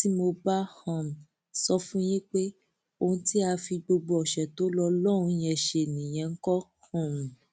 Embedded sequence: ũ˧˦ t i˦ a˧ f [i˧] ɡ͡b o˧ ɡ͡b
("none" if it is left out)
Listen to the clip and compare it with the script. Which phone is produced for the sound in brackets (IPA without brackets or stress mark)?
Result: i˧